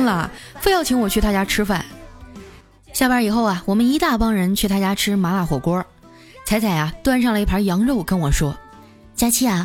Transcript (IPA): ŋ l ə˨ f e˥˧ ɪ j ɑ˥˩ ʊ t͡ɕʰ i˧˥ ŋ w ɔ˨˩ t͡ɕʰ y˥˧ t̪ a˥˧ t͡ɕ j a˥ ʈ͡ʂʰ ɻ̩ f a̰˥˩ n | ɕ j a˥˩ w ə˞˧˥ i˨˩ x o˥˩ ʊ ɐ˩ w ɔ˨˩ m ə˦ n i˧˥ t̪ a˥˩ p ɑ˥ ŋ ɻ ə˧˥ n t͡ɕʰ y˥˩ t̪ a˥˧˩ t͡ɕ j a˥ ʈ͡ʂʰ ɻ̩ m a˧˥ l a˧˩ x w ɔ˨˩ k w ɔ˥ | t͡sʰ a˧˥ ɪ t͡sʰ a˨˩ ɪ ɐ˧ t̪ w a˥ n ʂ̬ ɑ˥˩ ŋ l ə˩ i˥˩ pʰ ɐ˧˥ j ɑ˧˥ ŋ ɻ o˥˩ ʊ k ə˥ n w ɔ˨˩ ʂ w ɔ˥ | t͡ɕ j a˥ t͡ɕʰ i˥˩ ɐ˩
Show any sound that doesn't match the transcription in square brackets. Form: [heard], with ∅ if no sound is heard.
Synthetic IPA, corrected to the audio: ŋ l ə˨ f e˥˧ ɪ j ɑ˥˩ ʊ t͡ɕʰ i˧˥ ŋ w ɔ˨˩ t͡ɕʰ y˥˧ t̪ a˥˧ t͡ɕ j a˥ ʈ͡ʂʰ ɻ̩ f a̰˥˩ n | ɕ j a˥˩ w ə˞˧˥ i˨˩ x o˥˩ ʊ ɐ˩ w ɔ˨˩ m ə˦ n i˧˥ t̪ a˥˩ p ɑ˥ ŋ ɻ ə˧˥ n t͡ɕʰ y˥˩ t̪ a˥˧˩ t͡ɕ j a˥ ʈ͡ʂʰ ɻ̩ m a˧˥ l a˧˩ x w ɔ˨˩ k w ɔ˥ | t͡sʰ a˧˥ ɪ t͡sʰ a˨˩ ɪ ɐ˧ t̪ w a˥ n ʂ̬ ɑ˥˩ ŋ l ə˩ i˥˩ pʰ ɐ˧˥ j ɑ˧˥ ŋ ɻ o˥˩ ʊ k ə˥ n w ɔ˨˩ ʂ w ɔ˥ | t͡ɕ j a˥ t͡ɕʰ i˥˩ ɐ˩